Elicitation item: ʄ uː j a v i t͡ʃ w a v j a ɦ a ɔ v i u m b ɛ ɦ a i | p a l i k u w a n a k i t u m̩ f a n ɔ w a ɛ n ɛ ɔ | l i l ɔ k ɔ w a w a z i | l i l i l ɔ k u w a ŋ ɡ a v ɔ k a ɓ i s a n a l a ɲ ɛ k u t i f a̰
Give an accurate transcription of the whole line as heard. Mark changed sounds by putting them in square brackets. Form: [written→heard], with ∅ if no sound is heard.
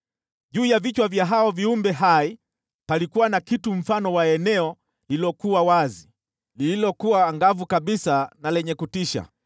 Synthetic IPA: ʄ uː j a v i t͡ʃ w a v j a ɦ a ɔ v i u m b ɛ ɦ a i | p a l i k u w a n a k i t u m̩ f a n ɔ w a ɛ n ɛ ɔ | l i l ɔ k [ɔ→u] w a w a z i | l i l i l ɔ k u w a ŋ ɡ a v [ɔ→u] k a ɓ i s a n a l [a→ɛ] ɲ ɛ k u t i [f→ʃ] a̰